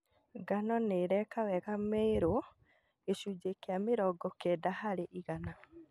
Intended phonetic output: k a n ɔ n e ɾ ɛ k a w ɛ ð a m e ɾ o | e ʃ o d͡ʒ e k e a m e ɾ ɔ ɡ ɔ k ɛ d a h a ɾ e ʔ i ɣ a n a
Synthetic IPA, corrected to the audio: ɡ a n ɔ n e ɾ ɛ k a w ɛ ɣ a m e ɾ o | e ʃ u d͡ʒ e k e a m e ɾ ɔ ɡ ɔ k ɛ d a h a ɾ e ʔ i ɣ a n a